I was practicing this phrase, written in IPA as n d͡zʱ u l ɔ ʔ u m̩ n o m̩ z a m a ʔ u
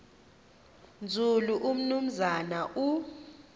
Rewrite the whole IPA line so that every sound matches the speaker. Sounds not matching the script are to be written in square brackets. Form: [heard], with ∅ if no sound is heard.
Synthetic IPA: n d͡zʱ u l [u] ʔ u m̩ n [u] m̩ z a [n] a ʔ u